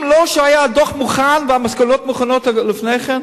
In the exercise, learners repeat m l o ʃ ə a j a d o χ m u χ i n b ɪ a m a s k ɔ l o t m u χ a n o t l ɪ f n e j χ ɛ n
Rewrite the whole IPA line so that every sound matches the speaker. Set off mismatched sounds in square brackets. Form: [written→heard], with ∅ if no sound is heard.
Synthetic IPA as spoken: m l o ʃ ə a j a d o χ m u χ [i→a] n [b→v] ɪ a m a s k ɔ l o t m u χ a n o t l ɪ f n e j χ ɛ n